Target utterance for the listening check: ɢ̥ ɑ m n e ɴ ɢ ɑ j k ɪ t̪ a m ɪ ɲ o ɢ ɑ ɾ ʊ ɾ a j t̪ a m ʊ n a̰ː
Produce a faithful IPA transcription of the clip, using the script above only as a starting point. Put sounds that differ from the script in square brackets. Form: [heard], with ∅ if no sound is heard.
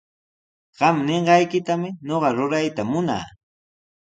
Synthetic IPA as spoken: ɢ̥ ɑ m n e ɴ ɢ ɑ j k ɪ t̪ a m ɪ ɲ o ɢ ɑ ɾ ʊ ɾ a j t̪ a m ʊ n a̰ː